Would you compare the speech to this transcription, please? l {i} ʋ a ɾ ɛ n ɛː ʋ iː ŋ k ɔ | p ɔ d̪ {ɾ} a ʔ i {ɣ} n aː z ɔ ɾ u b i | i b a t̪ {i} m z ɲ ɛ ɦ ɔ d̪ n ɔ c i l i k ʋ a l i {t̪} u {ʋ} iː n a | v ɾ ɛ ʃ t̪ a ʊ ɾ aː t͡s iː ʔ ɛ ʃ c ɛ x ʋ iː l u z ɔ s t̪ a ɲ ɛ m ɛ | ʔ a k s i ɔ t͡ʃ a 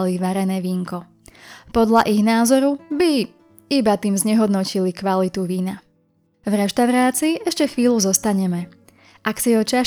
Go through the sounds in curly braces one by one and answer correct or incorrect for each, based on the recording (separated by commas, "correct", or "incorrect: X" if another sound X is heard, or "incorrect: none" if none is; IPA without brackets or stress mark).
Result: correct, incorrect: ʎ, correct, incorrect: iː, correct, correct